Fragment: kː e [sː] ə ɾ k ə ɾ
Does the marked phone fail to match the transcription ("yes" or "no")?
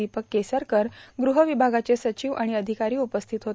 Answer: yes